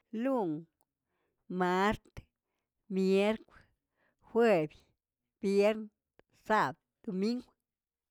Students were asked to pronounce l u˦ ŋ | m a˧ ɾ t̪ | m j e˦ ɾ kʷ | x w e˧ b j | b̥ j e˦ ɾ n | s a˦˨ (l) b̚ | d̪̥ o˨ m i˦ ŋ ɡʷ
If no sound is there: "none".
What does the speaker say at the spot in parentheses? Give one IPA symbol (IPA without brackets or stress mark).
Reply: none